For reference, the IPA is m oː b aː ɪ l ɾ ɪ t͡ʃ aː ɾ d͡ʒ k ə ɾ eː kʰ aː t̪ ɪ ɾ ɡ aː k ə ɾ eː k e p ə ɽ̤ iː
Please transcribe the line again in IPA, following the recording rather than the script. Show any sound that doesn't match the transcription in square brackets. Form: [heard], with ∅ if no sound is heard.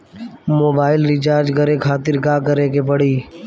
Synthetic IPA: m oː b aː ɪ l ɾ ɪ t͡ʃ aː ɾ d͡ʒ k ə ɾ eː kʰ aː t̪ ɪ ɾ ɡ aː k ə ɾ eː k e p ə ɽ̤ iː